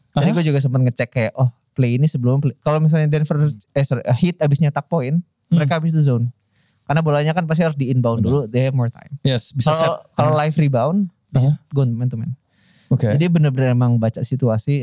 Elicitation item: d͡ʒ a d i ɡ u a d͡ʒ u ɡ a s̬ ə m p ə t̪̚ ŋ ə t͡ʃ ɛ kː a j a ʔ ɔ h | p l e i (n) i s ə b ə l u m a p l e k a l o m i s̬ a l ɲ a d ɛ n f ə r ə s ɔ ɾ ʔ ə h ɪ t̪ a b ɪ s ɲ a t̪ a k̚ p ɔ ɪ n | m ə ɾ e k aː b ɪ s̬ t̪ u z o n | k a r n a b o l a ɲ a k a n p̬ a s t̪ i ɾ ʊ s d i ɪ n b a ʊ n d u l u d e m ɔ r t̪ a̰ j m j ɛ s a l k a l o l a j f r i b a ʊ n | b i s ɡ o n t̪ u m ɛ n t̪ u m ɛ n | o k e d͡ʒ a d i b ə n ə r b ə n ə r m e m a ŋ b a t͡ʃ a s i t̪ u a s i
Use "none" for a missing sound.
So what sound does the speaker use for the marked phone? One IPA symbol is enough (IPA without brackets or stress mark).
n